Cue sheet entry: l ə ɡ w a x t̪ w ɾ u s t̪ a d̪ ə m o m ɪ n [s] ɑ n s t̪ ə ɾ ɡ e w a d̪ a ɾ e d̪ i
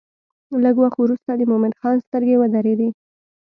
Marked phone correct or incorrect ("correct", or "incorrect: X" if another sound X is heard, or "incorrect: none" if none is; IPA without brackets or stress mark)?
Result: incorrect: x